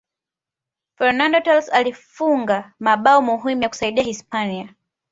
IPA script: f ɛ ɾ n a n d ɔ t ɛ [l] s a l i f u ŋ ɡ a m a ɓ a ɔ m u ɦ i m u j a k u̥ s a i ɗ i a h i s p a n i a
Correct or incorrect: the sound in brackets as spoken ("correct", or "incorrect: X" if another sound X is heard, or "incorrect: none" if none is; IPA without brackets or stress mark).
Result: correct